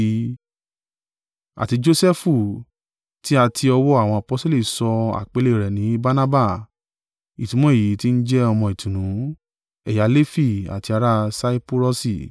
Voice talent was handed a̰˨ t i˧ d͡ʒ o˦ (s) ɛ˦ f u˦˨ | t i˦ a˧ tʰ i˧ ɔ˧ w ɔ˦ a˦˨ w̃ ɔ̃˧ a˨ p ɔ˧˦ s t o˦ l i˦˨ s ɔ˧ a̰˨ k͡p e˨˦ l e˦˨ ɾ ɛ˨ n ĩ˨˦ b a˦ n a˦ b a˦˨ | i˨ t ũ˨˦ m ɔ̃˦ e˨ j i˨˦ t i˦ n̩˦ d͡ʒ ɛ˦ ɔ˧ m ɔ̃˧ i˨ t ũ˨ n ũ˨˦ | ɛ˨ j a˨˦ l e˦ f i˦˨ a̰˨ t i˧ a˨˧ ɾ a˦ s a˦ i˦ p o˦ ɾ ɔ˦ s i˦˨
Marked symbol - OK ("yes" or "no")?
yes